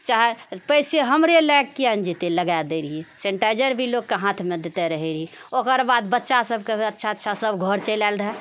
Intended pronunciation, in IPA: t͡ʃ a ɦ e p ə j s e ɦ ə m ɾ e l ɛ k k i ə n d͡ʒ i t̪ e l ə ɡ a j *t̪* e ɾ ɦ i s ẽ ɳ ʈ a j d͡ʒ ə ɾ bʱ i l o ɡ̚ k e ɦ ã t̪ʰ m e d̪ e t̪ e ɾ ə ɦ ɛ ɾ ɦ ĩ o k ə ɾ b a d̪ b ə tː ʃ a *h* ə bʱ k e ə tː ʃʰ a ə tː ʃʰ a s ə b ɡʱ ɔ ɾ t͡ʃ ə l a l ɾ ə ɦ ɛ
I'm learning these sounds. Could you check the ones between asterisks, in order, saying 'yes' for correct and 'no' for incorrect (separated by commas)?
no, no